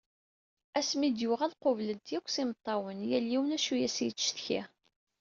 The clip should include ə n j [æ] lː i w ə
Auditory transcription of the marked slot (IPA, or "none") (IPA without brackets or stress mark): æ